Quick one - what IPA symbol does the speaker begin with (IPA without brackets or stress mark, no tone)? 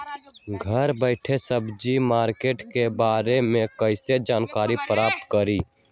ɡʱ